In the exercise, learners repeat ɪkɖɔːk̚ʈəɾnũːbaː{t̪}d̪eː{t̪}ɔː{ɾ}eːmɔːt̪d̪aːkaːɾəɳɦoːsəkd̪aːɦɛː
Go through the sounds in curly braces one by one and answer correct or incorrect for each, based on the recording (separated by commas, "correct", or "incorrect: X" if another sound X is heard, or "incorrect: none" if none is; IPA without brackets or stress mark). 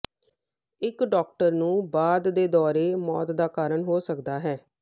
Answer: incorrect: d̪, incorrect: d̪, correct